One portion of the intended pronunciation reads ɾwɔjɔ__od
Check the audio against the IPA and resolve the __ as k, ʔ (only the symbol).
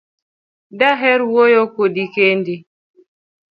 k